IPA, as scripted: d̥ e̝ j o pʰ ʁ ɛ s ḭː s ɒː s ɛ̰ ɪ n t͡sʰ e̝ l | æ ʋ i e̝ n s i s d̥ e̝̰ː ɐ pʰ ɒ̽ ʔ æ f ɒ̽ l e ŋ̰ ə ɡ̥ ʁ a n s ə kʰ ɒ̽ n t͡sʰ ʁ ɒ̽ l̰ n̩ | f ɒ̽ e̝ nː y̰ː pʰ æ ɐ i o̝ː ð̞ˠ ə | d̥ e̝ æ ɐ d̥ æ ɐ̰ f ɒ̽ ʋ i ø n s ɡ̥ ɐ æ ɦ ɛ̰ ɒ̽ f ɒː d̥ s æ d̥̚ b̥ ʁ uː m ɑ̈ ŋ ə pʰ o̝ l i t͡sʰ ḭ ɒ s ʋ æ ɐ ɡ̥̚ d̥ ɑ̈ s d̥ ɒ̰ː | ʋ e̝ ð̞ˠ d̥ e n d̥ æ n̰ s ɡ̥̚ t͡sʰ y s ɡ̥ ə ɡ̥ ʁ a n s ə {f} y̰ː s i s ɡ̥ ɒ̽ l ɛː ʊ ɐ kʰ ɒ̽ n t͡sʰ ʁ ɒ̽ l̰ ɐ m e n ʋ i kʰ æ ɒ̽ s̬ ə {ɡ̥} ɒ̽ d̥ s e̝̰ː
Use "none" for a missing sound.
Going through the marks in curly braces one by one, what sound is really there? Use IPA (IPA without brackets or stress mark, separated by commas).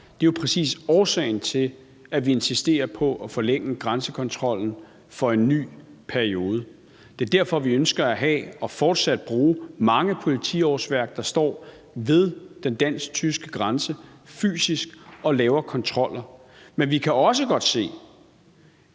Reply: f, ɡ̥